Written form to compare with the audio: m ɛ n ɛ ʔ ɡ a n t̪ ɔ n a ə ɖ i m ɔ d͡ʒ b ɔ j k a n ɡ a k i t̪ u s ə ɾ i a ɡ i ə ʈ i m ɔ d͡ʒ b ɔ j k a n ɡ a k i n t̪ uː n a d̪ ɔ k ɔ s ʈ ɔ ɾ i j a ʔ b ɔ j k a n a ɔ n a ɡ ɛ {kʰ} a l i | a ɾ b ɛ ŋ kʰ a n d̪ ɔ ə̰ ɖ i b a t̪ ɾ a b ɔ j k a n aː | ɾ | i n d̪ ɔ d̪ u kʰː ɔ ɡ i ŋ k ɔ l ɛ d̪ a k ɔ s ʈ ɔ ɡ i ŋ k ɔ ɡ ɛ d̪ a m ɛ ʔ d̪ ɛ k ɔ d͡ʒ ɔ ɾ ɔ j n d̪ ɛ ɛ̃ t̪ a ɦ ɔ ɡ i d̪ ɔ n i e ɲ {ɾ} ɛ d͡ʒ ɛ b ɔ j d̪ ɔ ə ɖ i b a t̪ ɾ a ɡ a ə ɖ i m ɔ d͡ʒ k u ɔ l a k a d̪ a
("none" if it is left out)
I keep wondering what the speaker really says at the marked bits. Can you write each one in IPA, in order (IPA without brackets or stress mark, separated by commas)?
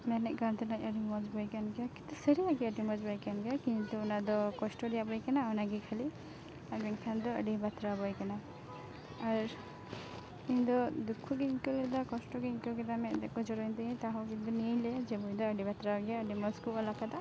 kʰ, l